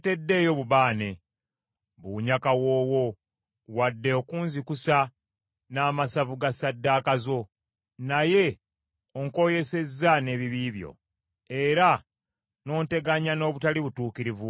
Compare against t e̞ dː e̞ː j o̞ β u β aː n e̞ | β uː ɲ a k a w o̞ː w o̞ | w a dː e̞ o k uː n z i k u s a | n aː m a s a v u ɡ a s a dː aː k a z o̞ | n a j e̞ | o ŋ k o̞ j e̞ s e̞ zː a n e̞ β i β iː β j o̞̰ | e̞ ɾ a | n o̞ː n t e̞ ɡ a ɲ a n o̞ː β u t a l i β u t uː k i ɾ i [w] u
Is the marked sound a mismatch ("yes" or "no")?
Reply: yes